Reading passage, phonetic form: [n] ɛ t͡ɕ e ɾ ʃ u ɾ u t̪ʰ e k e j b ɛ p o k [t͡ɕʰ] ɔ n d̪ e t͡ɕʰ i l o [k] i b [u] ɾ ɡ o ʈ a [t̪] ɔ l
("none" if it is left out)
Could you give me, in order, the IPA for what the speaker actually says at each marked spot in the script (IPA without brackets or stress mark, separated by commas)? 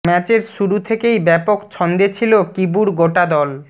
m, t͡ɕʰ, k, u, d̪